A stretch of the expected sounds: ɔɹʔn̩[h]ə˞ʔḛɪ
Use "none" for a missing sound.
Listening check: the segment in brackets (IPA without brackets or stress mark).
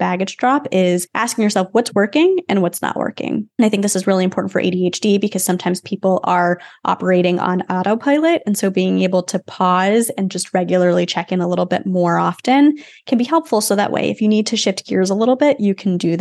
f